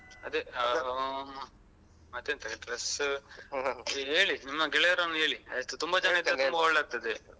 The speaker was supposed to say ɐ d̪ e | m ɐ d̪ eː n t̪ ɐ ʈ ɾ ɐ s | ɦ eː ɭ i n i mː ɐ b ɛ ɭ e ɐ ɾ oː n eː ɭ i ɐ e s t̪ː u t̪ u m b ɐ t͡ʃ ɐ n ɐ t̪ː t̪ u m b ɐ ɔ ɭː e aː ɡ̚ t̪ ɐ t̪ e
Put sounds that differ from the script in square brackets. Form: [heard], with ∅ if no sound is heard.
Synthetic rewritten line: ɐ d̪ e | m ɐ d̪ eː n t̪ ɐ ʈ ɾ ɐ s | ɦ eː ɭ i n i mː ɐ [ɡ] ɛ ɭ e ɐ ɾ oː n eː ɭ i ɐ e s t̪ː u t̪ u m b ɐ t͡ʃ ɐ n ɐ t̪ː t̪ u m b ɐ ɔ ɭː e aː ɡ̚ t̪ ɐ [d̪] e